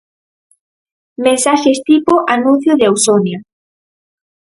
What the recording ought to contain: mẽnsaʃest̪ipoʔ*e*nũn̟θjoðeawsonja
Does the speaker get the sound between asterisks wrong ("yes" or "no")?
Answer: yes